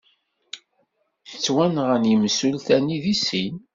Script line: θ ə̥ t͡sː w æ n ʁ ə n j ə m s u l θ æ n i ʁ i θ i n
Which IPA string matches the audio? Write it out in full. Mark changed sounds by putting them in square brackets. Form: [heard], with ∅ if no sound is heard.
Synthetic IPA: θ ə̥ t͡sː w æ n ʁ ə n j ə m s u l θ æ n i [ð] i [s] i n